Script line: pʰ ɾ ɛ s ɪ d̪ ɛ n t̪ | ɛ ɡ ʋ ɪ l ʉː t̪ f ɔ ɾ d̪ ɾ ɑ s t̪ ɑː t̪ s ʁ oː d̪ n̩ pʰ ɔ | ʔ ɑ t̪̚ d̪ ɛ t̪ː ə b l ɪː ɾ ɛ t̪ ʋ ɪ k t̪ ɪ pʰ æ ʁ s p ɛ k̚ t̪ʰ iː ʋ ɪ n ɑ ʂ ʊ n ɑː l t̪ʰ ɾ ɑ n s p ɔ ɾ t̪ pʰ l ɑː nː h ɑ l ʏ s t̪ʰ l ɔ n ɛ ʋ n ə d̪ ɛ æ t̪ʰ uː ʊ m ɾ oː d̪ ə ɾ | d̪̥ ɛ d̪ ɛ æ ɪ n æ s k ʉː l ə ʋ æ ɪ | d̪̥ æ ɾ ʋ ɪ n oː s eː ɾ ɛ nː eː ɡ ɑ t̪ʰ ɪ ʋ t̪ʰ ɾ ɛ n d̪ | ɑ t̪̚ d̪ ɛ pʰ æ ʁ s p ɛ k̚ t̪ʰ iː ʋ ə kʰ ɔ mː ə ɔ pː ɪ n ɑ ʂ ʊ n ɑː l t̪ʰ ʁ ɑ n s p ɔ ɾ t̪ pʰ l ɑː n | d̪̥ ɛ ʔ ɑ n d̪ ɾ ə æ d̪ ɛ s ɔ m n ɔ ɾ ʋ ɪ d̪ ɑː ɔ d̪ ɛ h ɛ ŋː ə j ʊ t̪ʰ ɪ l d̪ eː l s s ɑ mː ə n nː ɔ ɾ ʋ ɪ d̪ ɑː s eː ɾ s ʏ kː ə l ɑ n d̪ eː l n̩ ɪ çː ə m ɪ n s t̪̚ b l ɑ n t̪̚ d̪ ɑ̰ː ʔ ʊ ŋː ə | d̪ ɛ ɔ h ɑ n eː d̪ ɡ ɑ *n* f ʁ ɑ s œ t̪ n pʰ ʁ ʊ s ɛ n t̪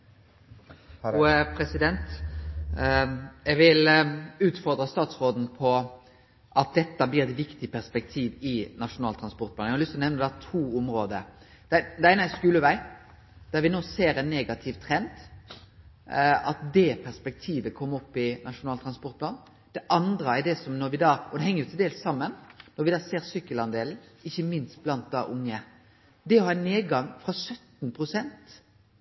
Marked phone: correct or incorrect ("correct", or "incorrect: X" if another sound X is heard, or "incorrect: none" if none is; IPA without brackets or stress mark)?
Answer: incorrect: ŋ